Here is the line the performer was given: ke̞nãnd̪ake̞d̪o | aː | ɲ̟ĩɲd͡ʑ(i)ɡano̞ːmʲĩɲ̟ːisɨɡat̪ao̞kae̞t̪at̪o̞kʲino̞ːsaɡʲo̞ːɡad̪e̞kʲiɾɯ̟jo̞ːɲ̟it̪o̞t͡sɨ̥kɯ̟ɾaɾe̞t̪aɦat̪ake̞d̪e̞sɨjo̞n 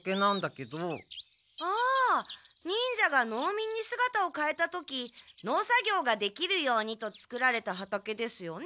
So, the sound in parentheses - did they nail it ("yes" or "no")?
no